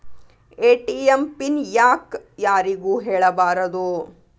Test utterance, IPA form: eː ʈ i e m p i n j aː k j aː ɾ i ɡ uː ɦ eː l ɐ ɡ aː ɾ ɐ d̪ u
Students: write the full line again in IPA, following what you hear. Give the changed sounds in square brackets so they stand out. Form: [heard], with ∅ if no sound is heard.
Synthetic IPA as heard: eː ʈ i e m p i n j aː k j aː ɾ i ɡ uː ɦ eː [ɭ] ɐ [b] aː ɾ ɐ d̪ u